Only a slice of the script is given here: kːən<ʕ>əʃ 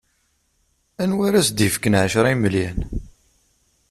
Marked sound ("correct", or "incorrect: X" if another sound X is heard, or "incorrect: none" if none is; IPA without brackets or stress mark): correct